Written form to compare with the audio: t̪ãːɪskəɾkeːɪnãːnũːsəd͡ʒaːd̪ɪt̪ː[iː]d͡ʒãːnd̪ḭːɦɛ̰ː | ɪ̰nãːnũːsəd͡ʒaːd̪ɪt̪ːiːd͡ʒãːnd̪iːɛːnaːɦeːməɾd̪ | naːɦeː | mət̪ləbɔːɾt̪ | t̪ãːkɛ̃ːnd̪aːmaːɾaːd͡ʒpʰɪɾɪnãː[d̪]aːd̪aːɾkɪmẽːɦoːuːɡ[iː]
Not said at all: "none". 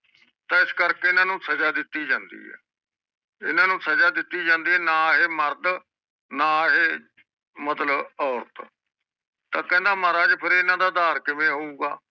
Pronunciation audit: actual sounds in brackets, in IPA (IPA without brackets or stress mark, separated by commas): iː, d̪, aː